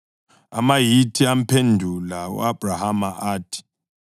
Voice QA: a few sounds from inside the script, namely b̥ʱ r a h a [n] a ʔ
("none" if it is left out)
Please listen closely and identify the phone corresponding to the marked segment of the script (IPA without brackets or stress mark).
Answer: m